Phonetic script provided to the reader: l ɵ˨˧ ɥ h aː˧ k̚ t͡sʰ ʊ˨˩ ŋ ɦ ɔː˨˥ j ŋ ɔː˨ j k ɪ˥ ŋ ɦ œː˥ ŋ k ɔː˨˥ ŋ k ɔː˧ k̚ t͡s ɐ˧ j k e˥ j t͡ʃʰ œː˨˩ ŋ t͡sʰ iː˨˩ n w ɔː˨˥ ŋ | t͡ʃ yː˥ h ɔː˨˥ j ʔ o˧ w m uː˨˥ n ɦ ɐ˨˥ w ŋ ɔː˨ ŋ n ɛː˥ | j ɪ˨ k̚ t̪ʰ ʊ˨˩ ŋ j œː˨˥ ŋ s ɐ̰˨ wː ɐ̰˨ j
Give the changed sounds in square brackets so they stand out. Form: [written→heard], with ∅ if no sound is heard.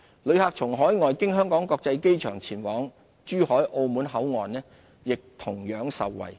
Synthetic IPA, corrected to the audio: l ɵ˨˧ ɥ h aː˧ k̚ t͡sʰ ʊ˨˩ ŋ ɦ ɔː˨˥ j ŋ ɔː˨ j k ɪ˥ ŋ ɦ œː˥ ŋ k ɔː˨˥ ŋ k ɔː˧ k̚ t͡s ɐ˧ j k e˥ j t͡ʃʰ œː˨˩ ŋ t͡sʰ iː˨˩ n w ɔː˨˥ ŋ | t͡ʃ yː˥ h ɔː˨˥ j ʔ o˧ w m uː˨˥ n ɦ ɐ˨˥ w ŋ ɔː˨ [ŋ→n] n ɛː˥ | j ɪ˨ k̚ t̪ʰ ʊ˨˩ ŋ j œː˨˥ ŋ s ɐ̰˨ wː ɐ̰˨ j

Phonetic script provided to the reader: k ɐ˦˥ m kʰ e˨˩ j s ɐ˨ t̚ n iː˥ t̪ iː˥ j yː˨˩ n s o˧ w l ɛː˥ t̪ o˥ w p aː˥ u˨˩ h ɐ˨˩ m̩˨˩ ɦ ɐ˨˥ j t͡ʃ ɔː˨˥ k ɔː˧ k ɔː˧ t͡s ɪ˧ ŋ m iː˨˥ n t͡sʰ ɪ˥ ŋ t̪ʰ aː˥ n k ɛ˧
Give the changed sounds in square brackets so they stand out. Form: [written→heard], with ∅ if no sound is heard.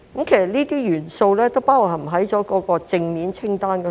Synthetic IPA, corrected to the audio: k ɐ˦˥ m kʰ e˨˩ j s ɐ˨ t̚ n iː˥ t̪ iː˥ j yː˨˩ n s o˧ w l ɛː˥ t̪ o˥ w p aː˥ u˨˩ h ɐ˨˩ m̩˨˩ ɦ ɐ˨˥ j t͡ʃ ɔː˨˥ k [ɔː˧→ɔː˨˥] k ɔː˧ t͡s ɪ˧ ŋ m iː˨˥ n t͡sʰ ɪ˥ ŋ [t̪ʰ→t̪] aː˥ n k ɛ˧

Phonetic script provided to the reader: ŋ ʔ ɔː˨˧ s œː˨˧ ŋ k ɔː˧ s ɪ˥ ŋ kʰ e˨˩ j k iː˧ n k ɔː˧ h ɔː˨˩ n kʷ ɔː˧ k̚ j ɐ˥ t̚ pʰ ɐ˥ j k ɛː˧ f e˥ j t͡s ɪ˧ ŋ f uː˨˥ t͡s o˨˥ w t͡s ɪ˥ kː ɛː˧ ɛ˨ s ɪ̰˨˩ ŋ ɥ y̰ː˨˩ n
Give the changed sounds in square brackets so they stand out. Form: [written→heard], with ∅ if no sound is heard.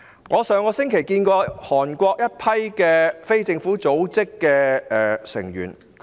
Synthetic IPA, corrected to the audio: ŋ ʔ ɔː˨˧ s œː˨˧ ŋ k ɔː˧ s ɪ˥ ŋ kʰ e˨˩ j k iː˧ n k ɔː˧ h ɔː˨˩ n kʷ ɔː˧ k̚ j ɐ˥ t̚ pʰ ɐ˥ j k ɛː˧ f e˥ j t͡s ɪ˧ ŋ f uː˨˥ t͡s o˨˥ w t͡s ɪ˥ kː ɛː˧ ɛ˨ s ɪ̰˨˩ ŋ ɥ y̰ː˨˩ n

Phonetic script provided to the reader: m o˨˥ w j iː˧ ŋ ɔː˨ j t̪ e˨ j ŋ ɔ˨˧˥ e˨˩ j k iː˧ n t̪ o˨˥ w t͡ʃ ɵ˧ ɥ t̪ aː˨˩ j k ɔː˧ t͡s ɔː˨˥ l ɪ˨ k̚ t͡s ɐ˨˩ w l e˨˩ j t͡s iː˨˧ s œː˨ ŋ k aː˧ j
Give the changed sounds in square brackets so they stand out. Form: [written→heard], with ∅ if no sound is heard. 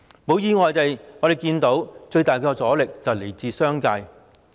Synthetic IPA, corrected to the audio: m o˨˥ w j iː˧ ŋ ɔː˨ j t̪ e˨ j ŋ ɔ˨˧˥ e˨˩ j k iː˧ n t̪ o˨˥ w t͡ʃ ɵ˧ ɥ t̪ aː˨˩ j k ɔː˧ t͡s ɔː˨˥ l ɪ˨ k̚ t͡s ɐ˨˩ w l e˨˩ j t͡s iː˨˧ s [œː˨→œː˥] ŋ k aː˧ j

